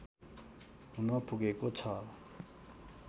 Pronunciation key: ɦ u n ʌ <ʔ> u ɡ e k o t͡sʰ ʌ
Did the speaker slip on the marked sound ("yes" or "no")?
yes